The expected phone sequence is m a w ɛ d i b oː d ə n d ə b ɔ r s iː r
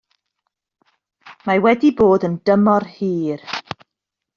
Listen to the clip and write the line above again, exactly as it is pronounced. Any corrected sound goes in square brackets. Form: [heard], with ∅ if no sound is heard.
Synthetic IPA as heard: m a w ɛ d i b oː d ə n d ə [m] ɔ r [h] iː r

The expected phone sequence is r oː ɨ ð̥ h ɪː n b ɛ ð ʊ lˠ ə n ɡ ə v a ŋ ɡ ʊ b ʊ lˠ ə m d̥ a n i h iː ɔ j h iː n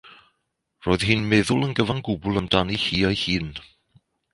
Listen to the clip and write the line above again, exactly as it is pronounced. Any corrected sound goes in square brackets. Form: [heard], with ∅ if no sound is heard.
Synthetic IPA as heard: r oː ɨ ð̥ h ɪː n [m] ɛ ð ʊ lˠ ə n ɡ ə v a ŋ ɡ ʊ b ʊ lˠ ə m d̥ a n i h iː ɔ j h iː n

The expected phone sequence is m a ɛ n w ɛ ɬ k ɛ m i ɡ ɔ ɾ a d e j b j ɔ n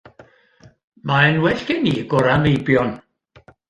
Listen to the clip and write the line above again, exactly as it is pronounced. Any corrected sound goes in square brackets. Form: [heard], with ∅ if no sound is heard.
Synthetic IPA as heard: m a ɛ n w ɛ ɬ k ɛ [n] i ɡ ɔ ɾ a [n] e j b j ɔ n

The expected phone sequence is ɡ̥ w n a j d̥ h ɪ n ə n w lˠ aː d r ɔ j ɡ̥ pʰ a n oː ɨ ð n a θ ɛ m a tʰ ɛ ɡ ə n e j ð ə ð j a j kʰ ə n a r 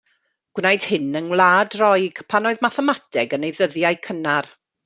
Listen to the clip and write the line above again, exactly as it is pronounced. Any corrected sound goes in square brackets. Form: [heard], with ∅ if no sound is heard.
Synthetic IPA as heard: ɡ̥ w n a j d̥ h ɪ n ə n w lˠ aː d r ɔ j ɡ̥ pʰ a n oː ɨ ð [m] a θ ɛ m a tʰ ɛ ɡ ə n e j ð ə ð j a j kʰ ə n a r

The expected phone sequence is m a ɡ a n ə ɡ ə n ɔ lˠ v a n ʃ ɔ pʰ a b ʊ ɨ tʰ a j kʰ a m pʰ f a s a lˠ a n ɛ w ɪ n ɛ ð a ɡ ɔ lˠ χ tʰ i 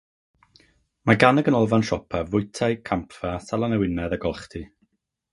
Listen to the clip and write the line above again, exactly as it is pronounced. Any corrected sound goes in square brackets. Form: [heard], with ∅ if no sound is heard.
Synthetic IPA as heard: m a ɡ a n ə ɡ ə n ɔ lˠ v a n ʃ ɔ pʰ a [v] ʊ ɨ tʰ a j kʰ a m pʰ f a s a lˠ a n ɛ w ɪ n ɛ ð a ɡ ɔ lˠ χ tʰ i

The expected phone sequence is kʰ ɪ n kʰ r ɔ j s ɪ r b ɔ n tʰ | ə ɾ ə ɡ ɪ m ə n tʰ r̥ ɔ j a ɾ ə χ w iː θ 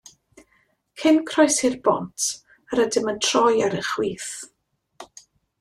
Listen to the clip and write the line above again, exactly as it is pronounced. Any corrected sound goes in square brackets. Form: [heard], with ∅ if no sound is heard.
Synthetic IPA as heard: kʰ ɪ n kʰ r ɔ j s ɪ r b ɔ n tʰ | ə ɾ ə [d] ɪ m ə n tʰ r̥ ɔ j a ɾ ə χ w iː θ

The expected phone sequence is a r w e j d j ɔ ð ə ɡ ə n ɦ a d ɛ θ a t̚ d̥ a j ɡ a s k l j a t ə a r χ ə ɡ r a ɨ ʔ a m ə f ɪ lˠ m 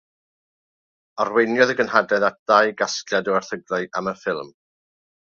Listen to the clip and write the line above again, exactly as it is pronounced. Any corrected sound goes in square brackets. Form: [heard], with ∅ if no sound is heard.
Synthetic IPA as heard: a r w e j [n] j ɔ ð ə ɡ ə n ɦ a d ɛ [ð] a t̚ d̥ a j ɡ a s k l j a [d] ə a r [θ] ə ɡ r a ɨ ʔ a m ə f ɪ lˠ m

